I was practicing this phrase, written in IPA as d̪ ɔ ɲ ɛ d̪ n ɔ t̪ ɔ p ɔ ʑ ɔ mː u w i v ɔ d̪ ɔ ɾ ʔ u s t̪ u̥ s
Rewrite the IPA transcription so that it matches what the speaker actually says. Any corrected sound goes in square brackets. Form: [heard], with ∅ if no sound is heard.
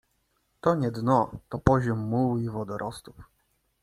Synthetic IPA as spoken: [t̪] ɔ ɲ ɛ d̪ n ɔ t̪ ɔ p ɔ ʑ ɔ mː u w i v ɔ d̪ ɔ ɾ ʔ [ɔ] s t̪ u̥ [f]